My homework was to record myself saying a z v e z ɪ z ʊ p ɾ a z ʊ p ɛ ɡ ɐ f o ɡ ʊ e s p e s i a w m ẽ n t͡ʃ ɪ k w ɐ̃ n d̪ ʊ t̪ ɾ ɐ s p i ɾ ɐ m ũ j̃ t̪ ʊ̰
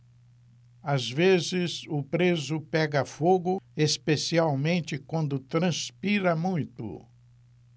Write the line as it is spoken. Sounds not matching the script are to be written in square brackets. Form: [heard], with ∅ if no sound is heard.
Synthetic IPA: a z v e z ɪ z ʊ p ɾ [e] z ʊ p ɛ ɡ ɐ f o ɡ ʊ e s p e s i a w m ẽ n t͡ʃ ɪ k w ɐ̃ n d̪ ʊ t̪ ɾ [ɐ̃] s p i ɾ ɐ m ũ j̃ t̪ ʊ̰